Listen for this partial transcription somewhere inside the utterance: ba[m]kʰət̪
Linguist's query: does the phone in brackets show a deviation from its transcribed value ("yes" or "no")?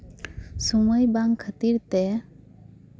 yes